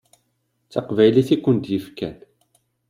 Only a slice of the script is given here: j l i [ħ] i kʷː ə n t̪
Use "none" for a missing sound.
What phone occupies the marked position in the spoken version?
θ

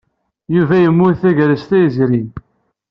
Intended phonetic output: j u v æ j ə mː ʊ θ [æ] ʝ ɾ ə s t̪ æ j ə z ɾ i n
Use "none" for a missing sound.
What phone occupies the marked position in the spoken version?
æ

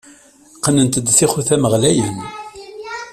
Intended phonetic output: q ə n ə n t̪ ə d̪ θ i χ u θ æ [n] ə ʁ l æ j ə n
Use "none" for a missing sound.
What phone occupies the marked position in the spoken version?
m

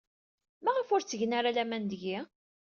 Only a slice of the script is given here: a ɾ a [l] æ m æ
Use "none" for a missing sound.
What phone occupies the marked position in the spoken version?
l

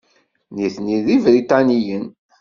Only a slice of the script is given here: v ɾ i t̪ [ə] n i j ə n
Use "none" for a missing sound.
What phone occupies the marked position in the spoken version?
ɑ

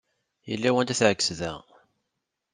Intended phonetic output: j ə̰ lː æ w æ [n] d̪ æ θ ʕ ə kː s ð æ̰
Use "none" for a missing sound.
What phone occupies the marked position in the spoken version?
n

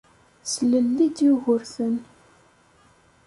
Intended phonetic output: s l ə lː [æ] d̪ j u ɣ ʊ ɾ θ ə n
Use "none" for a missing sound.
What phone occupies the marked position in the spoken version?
i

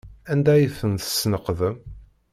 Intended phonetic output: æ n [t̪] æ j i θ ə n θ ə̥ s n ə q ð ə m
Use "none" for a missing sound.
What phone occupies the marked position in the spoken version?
d̪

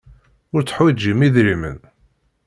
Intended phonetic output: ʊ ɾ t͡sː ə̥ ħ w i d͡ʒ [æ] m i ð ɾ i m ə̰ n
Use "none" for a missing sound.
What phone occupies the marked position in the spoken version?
i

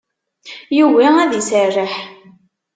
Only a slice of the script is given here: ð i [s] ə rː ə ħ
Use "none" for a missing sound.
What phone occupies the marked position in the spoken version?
s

